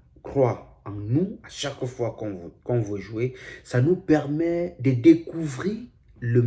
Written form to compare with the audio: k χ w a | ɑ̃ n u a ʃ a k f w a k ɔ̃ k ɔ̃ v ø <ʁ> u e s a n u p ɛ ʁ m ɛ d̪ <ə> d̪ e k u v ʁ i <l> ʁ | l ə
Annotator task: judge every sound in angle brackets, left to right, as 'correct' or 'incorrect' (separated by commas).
incorrect, correct, incorrect